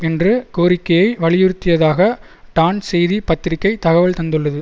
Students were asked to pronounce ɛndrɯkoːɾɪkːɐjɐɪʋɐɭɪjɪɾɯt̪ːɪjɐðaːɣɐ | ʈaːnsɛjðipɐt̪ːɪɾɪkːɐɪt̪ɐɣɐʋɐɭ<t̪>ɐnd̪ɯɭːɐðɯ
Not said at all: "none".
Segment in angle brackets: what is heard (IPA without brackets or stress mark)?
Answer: t̪